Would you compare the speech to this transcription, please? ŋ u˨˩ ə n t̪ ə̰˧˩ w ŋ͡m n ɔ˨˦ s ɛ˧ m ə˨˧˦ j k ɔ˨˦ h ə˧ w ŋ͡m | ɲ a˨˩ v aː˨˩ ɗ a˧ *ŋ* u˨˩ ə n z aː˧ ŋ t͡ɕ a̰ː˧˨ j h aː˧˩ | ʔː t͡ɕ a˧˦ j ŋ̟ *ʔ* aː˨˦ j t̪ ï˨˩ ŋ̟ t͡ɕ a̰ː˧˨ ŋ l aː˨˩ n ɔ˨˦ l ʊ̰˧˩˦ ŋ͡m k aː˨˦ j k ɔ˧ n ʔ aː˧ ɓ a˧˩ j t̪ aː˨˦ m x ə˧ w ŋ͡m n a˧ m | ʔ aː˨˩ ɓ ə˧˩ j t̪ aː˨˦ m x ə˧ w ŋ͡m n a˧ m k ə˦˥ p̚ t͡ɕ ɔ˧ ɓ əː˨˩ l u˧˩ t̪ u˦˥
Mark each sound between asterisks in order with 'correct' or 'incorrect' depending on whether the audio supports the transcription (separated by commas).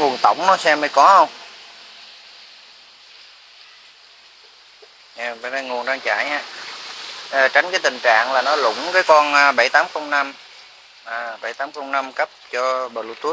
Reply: correct, incorrect